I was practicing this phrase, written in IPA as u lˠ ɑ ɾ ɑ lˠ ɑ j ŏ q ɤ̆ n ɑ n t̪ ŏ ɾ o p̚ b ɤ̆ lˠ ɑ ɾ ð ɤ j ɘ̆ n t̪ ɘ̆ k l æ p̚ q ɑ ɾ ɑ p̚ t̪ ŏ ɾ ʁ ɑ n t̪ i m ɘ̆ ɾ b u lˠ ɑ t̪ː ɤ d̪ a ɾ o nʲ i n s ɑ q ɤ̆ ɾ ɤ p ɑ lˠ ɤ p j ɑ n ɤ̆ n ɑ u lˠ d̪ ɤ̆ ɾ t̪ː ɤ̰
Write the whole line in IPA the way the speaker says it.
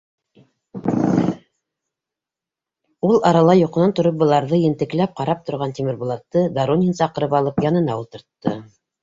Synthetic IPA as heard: u lˠ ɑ ɾ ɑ lˠ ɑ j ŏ q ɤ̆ n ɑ n t̪ ŏ ɾ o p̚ b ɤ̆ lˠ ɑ ɾ ð ɤ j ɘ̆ n t̪ ɘ̆ k l æ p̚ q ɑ ɾ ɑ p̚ t̪ ŏ ɾ ʁ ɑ n t̪ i m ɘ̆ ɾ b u lˠ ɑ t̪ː ɤ d̪ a ɾ o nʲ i n s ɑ q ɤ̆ ɾ ɤ p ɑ lˠ ɤ p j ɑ n ɤ̆ n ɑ u lˠ t̪ ɤ̆ ɾ t̪ː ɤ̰